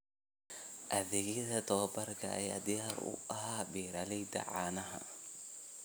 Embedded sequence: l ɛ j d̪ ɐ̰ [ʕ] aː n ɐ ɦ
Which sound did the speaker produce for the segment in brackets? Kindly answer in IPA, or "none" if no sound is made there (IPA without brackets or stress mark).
ʕ